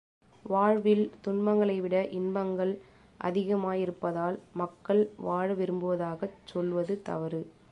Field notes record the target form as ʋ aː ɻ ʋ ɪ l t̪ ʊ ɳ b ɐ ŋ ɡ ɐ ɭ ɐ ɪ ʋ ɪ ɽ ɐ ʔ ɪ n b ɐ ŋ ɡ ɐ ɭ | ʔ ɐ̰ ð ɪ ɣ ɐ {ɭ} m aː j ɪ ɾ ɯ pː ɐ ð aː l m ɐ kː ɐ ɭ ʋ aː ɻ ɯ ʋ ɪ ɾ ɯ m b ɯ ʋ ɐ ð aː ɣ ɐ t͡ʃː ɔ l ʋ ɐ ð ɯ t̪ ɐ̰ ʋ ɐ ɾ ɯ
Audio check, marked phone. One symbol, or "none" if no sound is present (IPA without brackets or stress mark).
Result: none